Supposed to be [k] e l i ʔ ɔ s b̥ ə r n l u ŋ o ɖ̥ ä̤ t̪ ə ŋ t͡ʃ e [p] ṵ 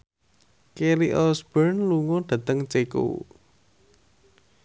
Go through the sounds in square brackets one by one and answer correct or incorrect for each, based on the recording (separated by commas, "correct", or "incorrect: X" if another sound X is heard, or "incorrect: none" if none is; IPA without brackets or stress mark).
correct, incorrect: k